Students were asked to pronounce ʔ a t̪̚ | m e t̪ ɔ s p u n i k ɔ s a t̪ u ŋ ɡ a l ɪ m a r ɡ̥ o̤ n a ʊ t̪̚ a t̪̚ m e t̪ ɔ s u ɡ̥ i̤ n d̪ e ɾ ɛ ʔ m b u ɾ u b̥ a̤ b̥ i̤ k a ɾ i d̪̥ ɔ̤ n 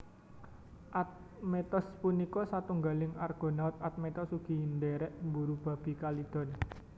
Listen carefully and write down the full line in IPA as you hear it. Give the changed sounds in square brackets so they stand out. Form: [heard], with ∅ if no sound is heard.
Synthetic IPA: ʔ a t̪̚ | m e t̪ ɔ s p u n i k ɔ s a t̪ u ŋ ɡ a l ɪ [ŋ] a r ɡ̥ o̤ n a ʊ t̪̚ a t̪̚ m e t̪ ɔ s u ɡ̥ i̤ n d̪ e ɾ ɛ ʔ m b u ɾ u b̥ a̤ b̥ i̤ k a [l] i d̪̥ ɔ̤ n